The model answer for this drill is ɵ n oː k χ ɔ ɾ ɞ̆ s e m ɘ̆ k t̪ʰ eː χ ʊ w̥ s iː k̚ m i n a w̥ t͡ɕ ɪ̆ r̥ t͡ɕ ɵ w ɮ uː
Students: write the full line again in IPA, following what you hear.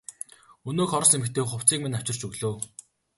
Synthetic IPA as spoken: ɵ n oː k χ ɔ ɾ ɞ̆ s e m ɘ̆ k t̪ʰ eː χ ʊ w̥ t͡s iː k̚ m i n a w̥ t͡ɕ ɪ̆ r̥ t͡ɕ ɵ ɣ ɮ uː